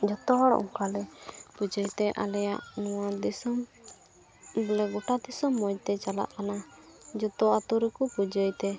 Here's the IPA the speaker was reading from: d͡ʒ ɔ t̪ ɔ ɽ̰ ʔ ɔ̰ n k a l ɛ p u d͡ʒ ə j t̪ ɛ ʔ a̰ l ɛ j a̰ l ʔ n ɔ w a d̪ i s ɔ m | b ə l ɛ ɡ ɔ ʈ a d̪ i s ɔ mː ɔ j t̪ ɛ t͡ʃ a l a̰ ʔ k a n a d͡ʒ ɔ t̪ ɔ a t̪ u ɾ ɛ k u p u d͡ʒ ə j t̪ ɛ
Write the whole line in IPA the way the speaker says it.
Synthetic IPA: d͡ʒ ɔ t̪ ɔ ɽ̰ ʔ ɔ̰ ŋ k a l ɛ p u d͡ʒ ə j t̪ ɛ ʔ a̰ l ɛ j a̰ ʔ n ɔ w a d̪ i s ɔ m | b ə l ɛ ɡ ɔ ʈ a d̪ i s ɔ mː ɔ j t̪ ɛ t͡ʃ a l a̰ ʔ k a n a d͡ʒ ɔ t̪ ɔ a t̪ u ɾ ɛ k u p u d͡ʒ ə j t̪ ɛ